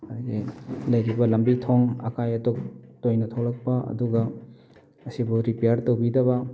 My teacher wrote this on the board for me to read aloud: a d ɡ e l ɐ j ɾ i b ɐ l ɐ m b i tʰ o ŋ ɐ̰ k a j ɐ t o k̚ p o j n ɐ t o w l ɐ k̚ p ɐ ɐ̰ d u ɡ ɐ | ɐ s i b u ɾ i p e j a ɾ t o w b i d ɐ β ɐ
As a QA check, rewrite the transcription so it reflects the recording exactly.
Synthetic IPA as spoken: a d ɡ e l ɐ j ɾ i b ɐ l ɐ m b i tʰ o ŋ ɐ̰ k a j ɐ t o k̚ t o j n ɐ tʰ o w l ɐ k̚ p ɐ ɐ̰ d u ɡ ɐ | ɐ s i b u ɾ i p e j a ɾ t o w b i d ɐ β ɐ